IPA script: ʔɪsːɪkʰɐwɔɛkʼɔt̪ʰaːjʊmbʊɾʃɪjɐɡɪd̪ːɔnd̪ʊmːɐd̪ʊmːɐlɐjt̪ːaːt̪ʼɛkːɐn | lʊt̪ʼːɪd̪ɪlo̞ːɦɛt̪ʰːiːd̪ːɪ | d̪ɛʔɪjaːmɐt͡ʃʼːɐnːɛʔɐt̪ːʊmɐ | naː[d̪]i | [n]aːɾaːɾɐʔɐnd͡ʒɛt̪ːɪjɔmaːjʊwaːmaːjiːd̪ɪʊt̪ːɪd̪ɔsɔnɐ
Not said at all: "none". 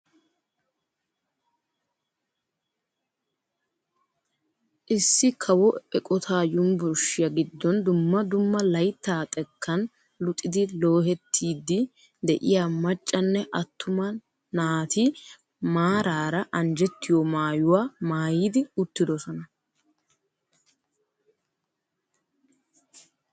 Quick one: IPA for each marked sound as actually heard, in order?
t̪, m

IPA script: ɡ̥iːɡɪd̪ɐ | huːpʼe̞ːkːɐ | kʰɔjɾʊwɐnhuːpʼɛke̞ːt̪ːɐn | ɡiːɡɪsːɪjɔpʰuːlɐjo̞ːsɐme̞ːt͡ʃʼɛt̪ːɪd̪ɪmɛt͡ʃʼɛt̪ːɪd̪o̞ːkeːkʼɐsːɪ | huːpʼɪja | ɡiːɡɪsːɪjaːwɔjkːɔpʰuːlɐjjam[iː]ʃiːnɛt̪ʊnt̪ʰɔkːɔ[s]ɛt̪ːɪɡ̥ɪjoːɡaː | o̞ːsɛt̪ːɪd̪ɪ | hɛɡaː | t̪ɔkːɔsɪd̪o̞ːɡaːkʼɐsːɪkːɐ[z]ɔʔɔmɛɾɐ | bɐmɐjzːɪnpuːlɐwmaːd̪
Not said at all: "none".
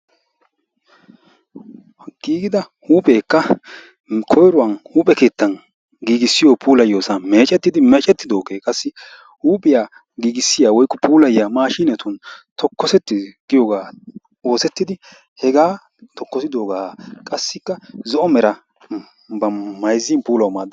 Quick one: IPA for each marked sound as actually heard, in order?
aː, s, z

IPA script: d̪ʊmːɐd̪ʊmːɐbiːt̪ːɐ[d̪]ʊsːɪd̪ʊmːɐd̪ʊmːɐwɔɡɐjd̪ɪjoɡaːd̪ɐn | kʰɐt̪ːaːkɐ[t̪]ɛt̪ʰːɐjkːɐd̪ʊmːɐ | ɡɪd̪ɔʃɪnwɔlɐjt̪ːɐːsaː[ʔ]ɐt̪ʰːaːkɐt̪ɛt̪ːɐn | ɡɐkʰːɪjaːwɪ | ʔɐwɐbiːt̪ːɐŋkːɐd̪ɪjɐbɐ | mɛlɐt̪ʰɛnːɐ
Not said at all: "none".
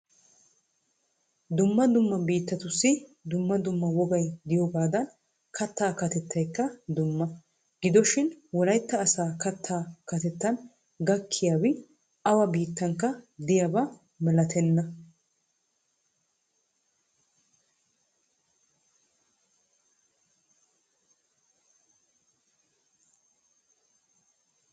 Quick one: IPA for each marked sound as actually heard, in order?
t̪, t̪, k

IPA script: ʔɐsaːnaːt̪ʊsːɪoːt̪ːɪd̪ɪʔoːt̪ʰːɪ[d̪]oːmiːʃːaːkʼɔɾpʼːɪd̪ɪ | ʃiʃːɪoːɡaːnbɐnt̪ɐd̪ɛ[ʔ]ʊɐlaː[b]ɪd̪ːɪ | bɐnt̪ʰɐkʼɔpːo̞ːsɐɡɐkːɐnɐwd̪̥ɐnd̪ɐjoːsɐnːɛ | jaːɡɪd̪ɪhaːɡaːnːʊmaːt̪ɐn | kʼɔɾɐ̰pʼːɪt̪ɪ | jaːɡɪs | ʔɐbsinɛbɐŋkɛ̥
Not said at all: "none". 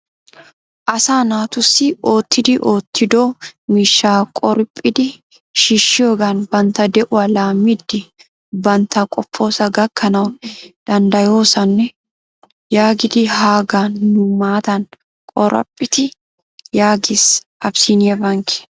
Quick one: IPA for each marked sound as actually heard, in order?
d̪, ʔ, m

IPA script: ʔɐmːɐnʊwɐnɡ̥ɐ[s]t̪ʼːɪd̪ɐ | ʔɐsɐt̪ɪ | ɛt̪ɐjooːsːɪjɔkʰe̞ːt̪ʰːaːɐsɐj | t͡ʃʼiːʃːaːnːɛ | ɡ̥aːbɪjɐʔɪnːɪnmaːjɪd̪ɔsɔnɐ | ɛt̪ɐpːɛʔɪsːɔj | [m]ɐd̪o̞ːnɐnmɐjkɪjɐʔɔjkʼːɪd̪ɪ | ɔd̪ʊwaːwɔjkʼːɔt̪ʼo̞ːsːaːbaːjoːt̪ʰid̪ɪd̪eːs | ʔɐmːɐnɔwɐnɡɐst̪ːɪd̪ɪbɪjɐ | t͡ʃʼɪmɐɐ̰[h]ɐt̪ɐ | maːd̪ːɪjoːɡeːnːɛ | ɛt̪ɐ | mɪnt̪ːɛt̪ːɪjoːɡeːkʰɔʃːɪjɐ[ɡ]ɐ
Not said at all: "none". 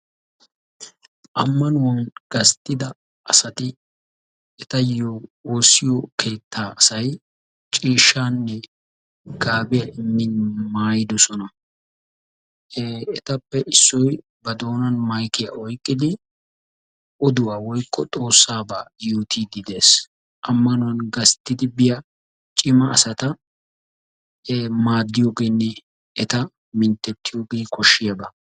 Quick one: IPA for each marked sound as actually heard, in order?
s, b, s, b

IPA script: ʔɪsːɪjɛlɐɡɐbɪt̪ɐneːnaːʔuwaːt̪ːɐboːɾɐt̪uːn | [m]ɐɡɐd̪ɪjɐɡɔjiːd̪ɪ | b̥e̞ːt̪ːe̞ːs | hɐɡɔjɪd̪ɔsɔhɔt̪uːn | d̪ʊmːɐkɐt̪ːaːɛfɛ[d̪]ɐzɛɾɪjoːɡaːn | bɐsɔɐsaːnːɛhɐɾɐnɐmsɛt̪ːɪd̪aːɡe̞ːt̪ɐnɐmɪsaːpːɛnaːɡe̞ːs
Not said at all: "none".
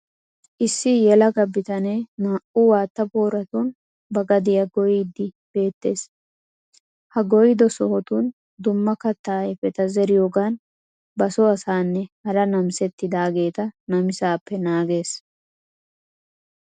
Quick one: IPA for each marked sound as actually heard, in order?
b, t̪

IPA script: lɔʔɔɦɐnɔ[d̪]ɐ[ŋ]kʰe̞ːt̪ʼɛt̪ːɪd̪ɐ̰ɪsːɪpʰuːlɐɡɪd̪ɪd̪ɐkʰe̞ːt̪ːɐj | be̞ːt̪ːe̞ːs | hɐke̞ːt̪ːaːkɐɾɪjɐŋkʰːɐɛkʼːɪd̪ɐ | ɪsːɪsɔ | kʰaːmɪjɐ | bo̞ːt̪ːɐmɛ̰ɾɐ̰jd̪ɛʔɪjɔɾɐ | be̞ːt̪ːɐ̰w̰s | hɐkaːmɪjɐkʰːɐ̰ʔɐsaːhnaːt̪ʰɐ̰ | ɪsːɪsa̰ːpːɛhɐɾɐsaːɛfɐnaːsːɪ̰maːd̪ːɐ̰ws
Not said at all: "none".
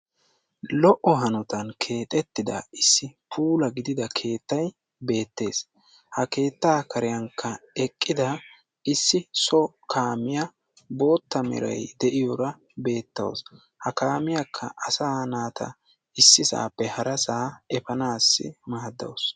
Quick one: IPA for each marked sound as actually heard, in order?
t̪, n

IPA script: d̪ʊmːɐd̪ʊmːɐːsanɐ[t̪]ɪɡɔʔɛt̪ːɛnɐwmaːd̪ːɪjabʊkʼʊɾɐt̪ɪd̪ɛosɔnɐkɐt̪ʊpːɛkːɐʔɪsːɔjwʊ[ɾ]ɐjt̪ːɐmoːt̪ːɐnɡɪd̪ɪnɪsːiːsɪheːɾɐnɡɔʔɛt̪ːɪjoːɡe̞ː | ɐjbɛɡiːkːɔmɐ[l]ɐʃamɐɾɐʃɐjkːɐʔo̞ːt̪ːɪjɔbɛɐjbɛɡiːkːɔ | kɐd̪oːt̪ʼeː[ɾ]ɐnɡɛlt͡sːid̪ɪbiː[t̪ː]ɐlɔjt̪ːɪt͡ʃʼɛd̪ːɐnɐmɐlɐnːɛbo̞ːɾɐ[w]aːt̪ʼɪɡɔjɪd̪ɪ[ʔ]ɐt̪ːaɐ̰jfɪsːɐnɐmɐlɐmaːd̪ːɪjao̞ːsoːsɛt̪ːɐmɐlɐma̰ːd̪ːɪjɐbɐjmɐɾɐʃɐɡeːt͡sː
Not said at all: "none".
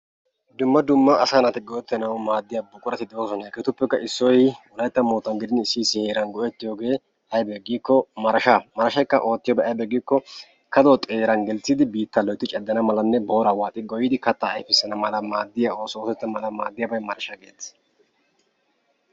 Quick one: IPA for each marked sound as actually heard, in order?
t̪, l, ɾ, ɾ, t̪ː, w, k

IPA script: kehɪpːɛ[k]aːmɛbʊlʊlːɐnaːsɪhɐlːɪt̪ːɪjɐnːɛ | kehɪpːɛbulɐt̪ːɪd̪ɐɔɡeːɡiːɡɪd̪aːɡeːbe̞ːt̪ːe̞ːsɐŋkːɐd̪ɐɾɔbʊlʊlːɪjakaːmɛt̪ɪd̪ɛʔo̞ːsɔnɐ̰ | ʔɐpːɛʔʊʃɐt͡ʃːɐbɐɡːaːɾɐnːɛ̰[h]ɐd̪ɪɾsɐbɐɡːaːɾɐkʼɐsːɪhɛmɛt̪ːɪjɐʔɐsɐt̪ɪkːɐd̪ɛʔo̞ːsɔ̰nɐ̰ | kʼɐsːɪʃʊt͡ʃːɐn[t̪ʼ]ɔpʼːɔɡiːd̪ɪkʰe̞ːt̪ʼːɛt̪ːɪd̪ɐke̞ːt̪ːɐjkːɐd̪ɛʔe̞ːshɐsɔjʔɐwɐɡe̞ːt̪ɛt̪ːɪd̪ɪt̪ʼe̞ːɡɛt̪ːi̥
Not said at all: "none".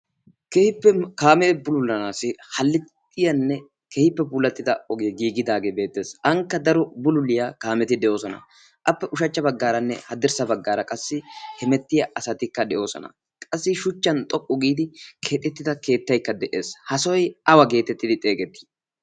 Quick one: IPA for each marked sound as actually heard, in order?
k, h, t̪ʼ

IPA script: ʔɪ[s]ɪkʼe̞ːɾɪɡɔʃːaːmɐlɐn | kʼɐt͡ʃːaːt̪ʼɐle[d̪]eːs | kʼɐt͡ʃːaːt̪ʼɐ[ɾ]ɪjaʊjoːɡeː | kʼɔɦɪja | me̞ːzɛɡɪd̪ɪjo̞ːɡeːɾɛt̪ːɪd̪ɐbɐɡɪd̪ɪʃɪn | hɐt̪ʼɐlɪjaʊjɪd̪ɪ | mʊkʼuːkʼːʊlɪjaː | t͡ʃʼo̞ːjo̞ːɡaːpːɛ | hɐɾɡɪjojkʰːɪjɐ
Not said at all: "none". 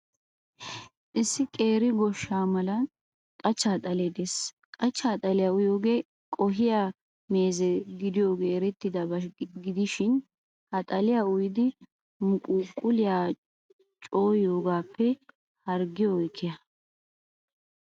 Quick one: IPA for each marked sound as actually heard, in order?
sː, d̪, l

